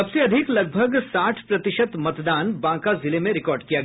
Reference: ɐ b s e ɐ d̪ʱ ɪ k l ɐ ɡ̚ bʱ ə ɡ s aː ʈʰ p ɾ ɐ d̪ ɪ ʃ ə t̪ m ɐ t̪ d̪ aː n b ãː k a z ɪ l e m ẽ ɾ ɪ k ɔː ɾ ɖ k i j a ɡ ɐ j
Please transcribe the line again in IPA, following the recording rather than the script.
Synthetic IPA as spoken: ɐ b s e ɐ d̪ʱ ɪ k l ɐ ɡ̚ bʱ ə ɡ s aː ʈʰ p ɾ ɐ t̪ ɪ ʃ ə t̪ m ɐ t̪ d̪ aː n b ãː k a z ɪ l e m ẽ ɾ ɪ k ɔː ɾ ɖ k i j a ɡ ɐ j